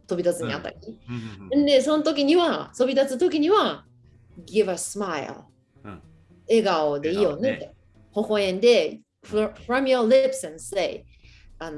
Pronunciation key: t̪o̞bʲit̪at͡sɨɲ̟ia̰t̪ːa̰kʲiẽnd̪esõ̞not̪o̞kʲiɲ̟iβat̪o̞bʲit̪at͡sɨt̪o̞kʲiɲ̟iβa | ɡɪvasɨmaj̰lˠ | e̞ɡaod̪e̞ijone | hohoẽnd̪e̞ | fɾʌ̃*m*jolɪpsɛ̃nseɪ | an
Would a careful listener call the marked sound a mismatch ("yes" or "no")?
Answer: no